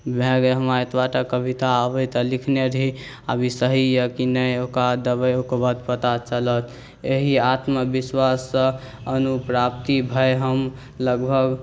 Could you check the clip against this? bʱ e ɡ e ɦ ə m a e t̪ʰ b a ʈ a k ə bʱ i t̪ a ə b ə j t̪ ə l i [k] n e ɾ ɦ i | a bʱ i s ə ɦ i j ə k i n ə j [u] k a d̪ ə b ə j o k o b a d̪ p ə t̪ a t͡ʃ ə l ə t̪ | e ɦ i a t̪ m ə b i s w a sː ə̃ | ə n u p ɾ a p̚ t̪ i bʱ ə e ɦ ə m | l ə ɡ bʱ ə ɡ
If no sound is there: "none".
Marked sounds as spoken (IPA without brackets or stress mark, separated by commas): kʰ, o